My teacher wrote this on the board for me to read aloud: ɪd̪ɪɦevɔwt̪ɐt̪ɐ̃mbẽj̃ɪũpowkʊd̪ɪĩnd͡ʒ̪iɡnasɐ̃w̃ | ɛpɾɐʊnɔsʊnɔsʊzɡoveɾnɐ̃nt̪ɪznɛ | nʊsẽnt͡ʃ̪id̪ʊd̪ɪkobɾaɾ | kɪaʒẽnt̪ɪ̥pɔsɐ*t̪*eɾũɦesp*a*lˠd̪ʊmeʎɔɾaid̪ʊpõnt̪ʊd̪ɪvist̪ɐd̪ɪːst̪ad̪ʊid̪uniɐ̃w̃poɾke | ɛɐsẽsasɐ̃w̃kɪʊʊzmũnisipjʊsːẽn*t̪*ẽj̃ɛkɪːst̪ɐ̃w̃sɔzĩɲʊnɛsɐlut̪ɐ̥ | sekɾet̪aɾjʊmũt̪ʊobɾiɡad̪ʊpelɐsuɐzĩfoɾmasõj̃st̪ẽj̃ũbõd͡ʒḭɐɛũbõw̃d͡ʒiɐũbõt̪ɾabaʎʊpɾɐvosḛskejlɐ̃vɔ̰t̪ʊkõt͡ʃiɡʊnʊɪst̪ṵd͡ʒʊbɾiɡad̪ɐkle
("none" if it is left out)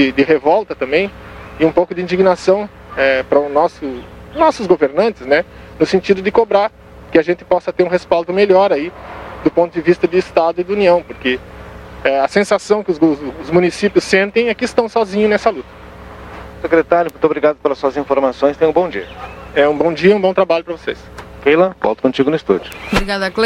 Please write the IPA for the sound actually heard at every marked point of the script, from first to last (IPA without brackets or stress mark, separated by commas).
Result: t̪, a, t̪